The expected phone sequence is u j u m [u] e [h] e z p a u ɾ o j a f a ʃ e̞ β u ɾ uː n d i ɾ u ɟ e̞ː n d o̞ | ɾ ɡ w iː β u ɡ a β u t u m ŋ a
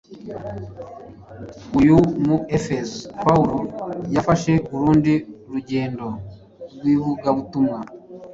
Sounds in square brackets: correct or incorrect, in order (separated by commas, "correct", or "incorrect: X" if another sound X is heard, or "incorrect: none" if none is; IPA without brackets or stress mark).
correct, incorrect: f